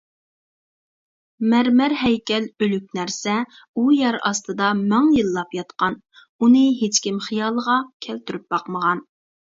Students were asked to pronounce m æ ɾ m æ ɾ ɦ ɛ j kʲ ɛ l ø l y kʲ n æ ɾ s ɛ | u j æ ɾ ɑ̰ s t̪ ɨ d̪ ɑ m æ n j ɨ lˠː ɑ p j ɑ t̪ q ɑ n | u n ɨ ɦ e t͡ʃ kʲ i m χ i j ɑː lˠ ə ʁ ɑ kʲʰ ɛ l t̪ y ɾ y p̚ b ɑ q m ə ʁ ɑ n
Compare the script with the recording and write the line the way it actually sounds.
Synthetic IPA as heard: m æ ɾ m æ ɾ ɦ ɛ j kʲ ɛ l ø l y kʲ n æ ɾ s ɛ | u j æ ɾ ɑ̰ s t̪ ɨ d̪ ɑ m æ ŋ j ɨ lˠː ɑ p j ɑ t̪ q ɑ n | u n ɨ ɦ e t͡ʃ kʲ i m χ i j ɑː lˠ ə ʁ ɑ kʲʰ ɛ l t̪ y ɾ y p̚ b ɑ q m ə ʁ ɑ n